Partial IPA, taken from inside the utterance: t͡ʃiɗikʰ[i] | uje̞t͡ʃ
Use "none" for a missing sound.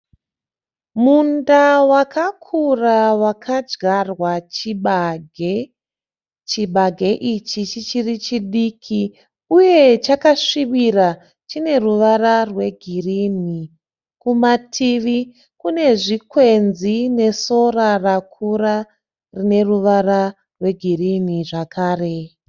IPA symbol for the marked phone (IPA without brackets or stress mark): i